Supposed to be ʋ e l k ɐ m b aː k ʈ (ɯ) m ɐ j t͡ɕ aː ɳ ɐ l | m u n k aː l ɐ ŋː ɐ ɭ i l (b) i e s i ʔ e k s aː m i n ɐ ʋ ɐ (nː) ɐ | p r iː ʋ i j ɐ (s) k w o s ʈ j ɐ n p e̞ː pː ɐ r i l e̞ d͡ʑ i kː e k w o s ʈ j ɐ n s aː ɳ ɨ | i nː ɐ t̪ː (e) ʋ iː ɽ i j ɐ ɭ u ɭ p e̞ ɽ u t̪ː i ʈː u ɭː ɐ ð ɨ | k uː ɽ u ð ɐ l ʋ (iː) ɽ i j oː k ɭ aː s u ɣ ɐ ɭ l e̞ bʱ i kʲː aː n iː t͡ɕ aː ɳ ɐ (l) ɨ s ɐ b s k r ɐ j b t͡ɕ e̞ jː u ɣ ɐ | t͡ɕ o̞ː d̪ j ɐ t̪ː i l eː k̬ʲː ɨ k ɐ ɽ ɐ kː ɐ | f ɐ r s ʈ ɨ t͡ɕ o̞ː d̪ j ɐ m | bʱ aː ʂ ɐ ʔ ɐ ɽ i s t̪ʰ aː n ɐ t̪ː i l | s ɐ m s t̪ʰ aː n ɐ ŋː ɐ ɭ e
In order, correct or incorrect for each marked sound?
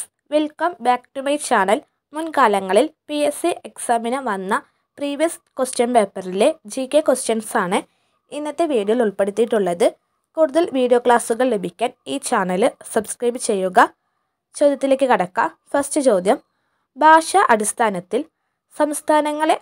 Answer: incorrect: u, incorrect: p, correct, correct, correct, correct, correct

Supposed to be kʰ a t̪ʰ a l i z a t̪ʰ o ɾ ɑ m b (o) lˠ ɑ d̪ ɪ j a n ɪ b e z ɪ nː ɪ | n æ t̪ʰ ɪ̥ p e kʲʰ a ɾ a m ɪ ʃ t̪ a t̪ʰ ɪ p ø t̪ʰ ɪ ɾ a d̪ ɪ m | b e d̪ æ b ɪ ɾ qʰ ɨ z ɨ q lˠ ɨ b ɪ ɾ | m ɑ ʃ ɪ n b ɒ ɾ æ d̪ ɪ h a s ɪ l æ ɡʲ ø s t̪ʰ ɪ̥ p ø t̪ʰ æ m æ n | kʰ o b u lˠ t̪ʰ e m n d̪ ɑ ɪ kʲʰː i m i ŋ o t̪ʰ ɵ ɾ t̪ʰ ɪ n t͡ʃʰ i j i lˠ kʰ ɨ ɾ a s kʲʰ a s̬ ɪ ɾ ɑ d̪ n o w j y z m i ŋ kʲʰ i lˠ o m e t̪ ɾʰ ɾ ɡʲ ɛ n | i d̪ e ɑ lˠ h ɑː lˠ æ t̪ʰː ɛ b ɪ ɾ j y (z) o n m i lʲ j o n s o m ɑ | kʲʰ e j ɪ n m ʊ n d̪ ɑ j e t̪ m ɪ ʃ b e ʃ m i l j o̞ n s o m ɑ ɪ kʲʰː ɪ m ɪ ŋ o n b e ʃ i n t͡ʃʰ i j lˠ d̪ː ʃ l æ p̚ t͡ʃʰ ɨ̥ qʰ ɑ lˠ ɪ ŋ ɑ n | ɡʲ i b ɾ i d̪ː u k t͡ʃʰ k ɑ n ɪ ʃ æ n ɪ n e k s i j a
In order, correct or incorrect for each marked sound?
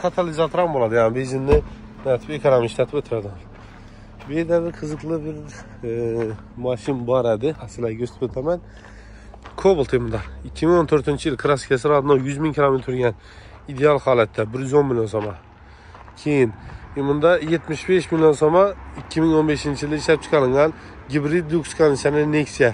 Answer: correct, correct

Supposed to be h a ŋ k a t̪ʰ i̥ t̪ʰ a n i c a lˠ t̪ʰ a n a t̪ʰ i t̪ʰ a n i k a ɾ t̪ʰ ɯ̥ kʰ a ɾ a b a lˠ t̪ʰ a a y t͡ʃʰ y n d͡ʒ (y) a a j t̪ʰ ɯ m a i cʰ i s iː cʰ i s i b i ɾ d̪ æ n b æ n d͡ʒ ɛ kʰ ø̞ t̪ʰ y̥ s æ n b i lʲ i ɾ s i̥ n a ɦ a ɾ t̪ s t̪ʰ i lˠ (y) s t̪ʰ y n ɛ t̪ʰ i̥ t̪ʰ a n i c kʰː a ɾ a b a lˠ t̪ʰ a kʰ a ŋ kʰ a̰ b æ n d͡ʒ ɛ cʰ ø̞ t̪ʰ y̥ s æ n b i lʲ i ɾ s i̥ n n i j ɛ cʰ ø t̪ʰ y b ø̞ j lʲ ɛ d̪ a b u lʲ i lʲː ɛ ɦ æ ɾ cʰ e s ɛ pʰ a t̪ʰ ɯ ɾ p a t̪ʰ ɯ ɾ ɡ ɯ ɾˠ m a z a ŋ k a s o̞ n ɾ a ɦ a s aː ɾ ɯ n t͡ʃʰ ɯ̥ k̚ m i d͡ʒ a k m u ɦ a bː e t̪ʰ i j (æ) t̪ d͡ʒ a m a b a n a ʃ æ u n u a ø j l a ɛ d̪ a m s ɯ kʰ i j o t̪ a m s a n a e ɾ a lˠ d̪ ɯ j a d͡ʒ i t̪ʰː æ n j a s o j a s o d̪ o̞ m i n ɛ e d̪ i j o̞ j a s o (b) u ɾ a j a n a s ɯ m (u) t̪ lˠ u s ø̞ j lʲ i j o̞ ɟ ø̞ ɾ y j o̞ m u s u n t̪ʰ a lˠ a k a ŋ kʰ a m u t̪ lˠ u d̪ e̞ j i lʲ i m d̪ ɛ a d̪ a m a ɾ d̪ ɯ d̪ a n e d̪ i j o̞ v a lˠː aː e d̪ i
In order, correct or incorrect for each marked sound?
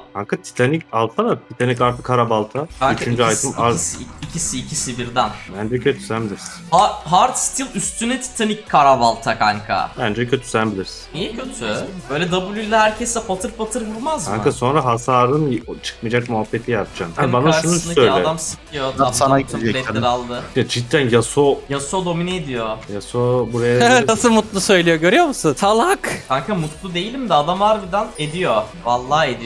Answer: correct, correct, incorrect: a, correct, correct

